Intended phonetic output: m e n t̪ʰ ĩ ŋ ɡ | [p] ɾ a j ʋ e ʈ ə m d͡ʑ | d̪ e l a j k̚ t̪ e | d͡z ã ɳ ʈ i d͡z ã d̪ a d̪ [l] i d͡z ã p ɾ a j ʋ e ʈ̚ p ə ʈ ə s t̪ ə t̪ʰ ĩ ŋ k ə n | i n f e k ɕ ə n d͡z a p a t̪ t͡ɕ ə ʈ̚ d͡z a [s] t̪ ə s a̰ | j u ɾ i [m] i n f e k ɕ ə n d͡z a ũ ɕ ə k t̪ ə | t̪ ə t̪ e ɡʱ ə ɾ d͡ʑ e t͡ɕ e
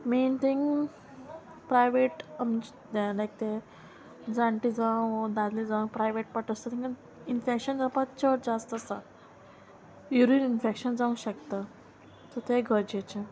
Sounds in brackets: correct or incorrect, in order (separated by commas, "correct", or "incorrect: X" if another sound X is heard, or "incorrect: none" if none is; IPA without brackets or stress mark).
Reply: correct, correct, correct, incorrect: n